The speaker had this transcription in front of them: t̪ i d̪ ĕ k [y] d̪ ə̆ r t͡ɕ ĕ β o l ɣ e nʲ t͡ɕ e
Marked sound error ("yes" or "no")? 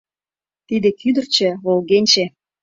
no